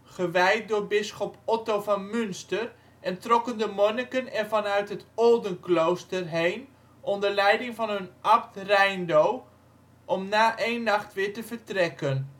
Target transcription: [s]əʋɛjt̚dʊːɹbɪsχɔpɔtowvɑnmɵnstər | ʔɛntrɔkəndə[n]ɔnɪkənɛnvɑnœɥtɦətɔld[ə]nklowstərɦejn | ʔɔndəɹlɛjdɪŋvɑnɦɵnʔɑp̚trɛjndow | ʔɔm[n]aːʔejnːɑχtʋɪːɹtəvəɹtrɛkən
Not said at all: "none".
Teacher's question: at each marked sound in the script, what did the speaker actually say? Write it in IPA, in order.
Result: χ, m, ə, n

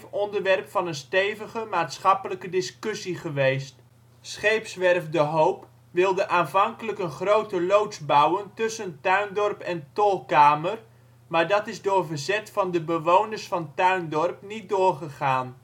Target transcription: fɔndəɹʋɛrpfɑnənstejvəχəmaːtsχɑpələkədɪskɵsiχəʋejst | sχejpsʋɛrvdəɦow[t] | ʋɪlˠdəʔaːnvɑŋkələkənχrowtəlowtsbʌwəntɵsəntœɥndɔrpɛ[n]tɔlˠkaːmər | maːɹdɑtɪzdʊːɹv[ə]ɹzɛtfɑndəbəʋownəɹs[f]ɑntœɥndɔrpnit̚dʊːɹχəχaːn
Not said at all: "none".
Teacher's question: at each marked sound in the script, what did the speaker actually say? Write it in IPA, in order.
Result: p, n, ə, f

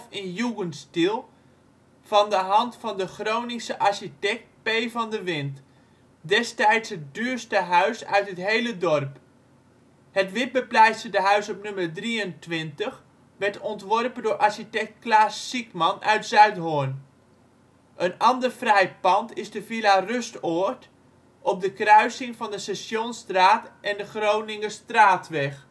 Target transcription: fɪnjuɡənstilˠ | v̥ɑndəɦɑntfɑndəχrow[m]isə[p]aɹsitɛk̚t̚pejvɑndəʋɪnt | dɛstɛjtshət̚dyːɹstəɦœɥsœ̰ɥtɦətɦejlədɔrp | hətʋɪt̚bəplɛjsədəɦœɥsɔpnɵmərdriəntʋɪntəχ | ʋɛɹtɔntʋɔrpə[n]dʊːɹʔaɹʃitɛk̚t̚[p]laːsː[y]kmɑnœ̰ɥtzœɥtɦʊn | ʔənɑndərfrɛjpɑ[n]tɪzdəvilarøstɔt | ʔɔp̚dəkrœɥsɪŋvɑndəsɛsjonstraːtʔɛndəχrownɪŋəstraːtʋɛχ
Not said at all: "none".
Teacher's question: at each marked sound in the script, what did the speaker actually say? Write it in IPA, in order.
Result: n, ʔ, n, k, i, n

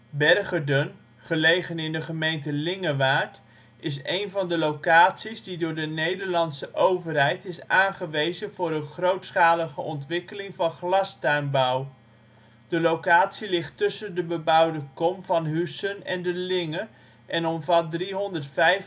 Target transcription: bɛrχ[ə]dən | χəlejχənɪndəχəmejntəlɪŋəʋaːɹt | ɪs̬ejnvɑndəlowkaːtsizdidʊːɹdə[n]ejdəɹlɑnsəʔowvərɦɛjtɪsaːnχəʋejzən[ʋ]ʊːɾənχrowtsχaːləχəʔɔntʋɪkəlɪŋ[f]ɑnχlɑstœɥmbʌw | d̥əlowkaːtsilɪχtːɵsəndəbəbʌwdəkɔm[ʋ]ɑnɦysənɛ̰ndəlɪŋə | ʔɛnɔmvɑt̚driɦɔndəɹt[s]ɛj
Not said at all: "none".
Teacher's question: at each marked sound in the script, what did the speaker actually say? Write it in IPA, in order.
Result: ə, n, v, v, v, f

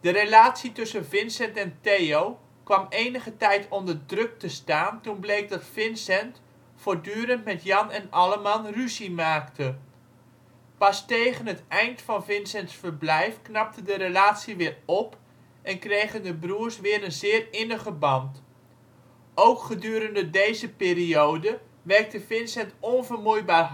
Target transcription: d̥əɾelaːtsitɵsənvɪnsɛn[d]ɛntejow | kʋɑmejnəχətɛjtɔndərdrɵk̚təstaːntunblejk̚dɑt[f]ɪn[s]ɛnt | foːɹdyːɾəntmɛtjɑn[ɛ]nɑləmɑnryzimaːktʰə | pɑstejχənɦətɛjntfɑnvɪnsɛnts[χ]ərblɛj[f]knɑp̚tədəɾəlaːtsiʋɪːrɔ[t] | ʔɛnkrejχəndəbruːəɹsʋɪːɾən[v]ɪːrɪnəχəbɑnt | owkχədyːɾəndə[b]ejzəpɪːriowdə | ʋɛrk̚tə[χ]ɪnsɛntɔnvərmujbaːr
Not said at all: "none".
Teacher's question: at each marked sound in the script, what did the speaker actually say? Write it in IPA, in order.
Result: t, f, s, ɛ, f, f, p, z, d, f

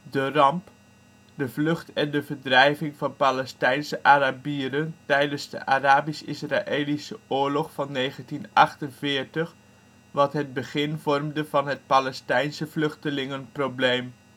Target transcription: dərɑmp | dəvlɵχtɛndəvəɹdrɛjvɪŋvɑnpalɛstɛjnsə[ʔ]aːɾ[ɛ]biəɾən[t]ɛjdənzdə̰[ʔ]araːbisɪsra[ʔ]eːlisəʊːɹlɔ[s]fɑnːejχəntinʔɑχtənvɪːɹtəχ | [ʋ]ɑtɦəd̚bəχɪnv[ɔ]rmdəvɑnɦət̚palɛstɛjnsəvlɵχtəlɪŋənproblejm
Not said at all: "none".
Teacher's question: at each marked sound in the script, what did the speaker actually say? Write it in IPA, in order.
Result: ʔ, a, t, ʔ, ʔ, χ, ʋ, ɔ

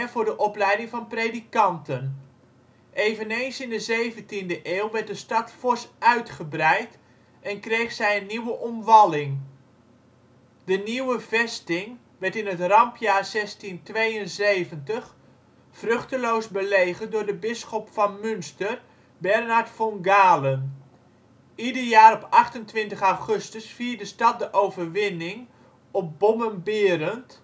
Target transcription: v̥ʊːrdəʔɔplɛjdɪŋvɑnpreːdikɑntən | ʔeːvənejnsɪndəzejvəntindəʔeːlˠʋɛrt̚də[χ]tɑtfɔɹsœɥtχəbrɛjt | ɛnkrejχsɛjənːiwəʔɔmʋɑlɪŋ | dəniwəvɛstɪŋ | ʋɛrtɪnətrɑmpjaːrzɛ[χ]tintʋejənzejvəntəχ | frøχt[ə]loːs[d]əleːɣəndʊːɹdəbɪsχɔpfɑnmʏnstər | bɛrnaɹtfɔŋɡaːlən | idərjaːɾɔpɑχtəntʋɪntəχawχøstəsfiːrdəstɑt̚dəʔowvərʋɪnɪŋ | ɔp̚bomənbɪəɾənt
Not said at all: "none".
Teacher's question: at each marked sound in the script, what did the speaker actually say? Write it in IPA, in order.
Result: s, s, ə, b

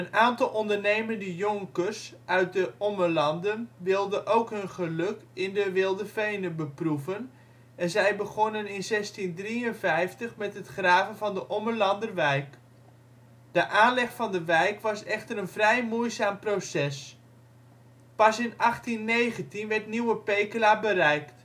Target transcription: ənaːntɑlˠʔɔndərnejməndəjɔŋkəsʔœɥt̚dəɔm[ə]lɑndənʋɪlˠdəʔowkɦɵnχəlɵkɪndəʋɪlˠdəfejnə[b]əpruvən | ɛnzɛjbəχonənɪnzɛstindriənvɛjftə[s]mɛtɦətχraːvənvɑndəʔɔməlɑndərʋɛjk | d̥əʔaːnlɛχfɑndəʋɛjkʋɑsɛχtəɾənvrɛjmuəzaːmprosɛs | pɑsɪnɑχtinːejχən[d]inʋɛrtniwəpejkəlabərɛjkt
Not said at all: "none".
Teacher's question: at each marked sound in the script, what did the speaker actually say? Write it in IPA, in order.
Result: ə, b, χ, t

